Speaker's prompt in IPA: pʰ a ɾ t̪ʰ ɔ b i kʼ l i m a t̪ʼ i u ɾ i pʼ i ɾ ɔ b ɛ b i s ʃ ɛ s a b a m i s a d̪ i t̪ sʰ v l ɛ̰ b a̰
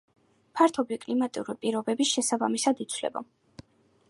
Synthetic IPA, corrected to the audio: pʰ a ɾ t̪ʰ ɔ b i kʼ l i m a t̪ʼ i u ɾ i pʼ i ɾ ɔ b ɛ b i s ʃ ɛ s a b a m i s a d̪ i t̪ sʰ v l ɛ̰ b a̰